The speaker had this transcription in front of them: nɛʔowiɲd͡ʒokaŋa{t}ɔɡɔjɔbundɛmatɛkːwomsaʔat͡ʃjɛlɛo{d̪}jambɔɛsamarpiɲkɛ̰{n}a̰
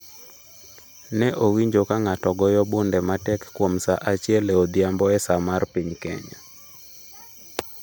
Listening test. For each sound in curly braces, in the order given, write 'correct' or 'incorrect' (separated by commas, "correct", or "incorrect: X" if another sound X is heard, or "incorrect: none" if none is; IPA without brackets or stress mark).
correct, correct, incorrect: ɲ